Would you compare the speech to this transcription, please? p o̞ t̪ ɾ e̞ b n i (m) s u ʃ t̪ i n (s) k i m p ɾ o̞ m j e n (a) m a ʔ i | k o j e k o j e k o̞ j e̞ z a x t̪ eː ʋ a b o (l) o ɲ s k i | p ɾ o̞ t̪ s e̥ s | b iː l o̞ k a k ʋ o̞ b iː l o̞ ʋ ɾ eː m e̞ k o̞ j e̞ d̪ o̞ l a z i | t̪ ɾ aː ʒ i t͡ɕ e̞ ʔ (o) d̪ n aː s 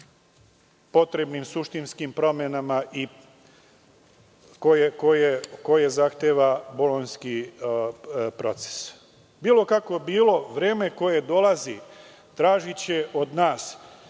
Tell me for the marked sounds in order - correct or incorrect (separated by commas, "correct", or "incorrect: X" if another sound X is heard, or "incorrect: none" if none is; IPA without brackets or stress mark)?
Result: correct, correct, correct, correct, correct